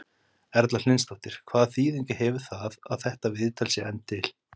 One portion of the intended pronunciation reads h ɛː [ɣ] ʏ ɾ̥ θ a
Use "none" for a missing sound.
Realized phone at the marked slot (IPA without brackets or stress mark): v